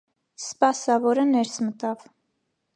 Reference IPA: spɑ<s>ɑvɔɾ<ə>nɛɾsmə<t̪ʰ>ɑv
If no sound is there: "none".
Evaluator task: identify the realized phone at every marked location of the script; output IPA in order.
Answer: s, ə, t̪

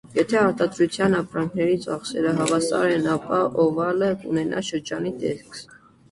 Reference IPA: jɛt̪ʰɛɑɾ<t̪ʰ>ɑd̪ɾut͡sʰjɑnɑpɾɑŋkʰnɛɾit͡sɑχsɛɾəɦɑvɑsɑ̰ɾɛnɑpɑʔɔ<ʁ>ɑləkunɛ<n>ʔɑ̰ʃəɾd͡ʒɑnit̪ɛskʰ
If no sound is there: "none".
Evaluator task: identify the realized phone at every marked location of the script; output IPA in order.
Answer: t̪, v, n

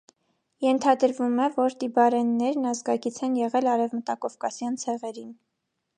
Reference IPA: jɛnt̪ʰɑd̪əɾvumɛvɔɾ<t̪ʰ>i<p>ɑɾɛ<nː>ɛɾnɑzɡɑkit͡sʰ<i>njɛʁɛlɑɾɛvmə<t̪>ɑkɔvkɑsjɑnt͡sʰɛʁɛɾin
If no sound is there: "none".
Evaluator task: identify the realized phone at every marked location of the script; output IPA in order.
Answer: t̪, b, nː, ɛ, t̪

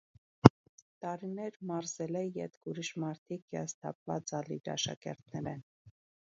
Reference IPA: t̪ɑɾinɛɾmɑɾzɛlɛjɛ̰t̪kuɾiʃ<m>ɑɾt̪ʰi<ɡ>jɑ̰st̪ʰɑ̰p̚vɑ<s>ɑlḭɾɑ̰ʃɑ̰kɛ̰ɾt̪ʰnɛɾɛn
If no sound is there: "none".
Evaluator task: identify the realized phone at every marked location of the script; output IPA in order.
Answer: m, k, t͡s

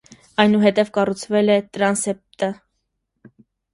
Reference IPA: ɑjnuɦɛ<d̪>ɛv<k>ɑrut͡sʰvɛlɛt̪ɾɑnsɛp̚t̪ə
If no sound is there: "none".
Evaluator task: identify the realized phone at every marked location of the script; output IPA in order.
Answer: t̪, k

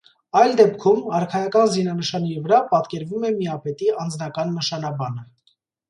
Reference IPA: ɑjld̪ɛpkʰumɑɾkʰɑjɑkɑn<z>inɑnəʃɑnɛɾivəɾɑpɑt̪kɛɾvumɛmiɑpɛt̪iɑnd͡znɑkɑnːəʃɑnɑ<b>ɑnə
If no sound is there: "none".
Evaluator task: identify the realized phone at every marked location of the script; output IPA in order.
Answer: z, b

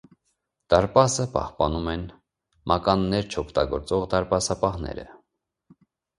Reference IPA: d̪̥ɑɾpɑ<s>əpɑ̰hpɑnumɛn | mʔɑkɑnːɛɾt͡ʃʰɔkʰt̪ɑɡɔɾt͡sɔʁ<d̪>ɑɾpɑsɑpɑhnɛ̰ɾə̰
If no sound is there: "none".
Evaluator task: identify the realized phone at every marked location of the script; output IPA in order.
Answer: s, d̪

